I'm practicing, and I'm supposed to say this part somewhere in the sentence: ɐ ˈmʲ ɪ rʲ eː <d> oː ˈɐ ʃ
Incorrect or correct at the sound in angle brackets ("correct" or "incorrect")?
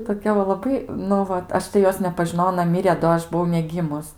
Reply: correct